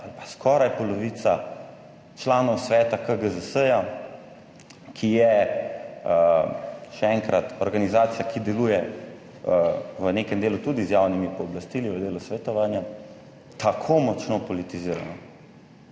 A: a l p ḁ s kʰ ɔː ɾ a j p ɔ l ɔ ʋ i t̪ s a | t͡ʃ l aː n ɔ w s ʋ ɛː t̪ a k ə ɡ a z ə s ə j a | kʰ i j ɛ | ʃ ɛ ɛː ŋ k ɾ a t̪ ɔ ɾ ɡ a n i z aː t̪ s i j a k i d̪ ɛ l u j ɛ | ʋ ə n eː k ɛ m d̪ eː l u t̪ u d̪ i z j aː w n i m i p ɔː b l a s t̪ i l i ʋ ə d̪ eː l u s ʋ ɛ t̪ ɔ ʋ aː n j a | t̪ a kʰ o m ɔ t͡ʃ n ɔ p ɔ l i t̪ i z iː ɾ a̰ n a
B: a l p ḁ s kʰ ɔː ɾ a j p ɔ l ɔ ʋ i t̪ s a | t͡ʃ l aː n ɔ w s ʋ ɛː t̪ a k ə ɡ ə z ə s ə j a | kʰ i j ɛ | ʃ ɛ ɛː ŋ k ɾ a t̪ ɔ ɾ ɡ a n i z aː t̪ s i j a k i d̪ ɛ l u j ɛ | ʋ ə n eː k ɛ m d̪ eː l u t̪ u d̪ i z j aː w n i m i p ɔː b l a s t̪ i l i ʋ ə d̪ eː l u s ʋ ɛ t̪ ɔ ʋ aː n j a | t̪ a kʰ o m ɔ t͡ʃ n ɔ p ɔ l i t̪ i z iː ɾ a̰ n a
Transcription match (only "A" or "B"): B